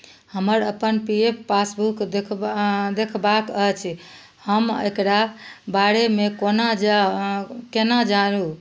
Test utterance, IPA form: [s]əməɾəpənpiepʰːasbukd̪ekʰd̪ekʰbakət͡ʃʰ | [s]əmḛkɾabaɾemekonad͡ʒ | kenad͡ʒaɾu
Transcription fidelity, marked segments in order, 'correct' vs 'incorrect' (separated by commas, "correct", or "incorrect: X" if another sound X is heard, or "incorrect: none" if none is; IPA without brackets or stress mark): incorrect: h, incorrect: h